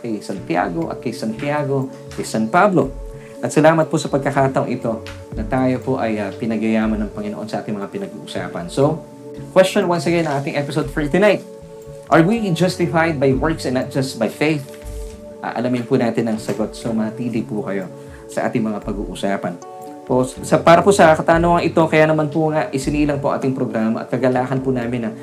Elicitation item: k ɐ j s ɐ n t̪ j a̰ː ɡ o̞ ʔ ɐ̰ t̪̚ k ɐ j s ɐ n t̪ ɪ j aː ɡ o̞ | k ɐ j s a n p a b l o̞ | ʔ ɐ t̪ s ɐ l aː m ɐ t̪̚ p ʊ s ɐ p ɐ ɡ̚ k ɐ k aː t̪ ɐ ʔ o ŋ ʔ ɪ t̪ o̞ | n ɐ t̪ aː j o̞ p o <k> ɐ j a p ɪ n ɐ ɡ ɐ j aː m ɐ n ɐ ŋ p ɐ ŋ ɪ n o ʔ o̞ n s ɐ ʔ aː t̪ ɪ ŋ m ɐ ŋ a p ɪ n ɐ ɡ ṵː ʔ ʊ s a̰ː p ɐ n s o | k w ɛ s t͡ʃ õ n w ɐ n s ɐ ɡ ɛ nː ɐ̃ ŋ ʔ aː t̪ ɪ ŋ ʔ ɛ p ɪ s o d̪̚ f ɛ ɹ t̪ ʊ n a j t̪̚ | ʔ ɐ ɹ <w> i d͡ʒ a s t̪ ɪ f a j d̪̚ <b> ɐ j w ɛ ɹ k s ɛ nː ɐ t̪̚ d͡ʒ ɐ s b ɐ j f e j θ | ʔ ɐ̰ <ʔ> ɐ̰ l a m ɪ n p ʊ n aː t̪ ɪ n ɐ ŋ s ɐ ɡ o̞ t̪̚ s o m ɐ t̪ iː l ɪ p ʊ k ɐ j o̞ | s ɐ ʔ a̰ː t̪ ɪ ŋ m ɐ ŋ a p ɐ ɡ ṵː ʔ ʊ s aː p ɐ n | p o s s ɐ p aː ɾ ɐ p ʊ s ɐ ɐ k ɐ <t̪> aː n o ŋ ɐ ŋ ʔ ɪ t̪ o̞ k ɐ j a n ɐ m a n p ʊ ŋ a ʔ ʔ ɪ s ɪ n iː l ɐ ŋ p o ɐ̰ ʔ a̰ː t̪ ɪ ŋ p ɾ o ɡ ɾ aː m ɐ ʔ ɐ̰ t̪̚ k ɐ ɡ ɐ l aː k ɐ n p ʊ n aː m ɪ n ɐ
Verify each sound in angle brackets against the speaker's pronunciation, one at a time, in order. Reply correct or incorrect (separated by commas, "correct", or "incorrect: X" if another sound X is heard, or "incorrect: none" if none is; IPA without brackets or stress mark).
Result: incorrect: ʔ, correct, correct, correct, correct